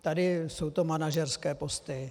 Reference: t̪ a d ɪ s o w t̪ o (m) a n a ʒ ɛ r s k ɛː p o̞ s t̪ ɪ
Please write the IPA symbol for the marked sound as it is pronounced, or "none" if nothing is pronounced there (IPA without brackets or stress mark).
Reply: m